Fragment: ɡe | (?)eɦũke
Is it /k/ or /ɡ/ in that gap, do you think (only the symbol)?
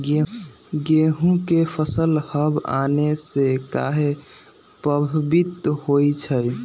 ɡ